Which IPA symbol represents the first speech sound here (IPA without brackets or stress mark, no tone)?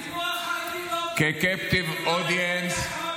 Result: k